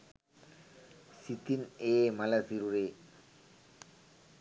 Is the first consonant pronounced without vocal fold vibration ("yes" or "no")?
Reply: yes